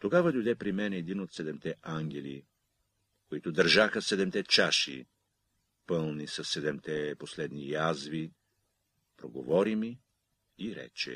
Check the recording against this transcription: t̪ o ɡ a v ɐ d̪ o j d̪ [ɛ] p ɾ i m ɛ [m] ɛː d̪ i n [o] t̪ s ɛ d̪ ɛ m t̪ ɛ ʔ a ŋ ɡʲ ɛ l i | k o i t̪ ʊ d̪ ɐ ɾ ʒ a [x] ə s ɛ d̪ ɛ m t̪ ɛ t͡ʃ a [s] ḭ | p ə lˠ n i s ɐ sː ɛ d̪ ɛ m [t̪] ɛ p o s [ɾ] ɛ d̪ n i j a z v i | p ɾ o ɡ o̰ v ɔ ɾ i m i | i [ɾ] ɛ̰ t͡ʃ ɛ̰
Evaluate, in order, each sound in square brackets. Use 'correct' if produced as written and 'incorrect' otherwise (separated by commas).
correct, incorrect, correct, correct, incorrect, correct, incorrect, correct